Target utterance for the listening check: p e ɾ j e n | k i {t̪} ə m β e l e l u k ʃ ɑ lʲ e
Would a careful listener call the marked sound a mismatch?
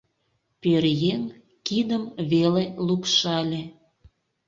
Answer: yes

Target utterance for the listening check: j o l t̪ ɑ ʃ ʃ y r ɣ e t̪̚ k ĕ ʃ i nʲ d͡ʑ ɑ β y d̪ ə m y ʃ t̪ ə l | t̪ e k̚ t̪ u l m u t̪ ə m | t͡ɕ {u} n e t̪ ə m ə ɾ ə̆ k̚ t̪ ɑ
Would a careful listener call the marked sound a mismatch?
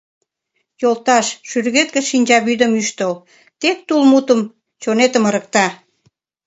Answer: yes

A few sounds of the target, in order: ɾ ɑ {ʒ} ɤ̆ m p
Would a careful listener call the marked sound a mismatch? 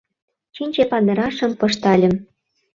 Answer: yes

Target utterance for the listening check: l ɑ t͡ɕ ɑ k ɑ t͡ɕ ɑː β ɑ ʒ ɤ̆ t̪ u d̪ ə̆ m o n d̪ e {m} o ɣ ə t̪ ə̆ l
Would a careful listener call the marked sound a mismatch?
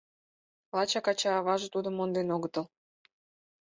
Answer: yes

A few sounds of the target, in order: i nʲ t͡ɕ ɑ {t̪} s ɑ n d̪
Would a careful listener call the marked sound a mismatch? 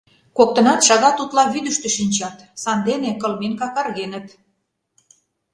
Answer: no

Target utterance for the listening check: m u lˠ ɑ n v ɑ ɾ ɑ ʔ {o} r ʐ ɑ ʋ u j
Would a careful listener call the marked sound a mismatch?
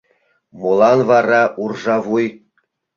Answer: yes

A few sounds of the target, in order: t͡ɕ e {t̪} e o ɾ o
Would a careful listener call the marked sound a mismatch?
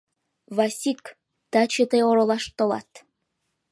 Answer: no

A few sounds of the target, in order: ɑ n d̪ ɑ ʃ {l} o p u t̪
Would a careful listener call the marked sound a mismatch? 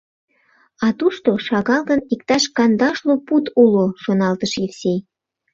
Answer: no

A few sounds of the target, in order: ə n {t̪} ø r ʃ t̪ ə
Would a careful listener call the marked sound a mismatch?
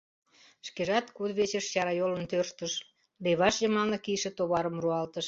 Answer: no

